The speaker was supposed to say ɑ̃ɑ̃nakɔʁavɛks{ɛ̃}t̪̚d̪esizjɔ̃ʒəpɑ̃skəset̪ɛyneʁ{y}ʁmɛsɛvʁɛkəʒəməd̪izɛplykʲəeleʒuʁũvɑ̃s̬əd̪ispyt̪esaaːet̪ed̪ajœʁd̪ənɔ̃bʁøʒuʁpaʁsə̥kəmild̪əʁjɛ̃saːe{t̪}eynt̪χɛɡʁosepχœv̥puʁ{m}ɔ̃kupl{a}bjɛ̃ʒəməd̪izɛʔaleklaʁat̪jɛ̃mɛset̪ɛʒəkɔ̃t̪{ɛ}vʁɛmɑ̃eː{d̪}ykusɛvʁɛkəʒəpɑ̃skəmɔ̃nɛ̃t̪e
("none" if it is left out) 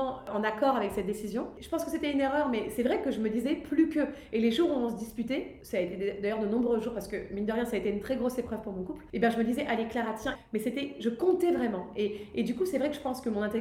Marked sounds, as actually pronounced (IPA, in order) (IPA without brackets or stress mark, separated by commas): ɛ, œ, t̪, m, e, ɛ, d̪